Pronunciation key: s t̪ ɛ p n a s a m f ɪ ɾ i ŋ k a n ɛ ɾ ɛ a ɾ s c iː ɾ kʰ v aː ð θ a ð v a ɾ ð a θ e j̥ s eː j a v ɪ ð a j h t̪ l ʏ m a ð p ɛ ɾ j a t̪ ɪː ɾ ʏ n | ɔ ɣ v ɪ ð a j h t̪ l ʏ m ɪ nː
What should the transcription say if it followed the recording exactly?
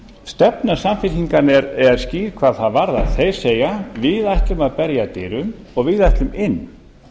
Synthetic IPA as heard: s t̪ ɛ p n a s a m f ɪ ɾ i ŋ k a n ɛ ɾ ɛ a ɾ s c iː ɾ kʰ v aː ð θ a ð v a ɾ ð a θ e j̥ s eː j a v ɪ ð a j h t̪ l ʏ m a ð p ɛ ɾ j a t̪ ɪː ɾ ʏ m | ɔ ɣ v ɪ ð a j h t̪ l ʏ m ɪ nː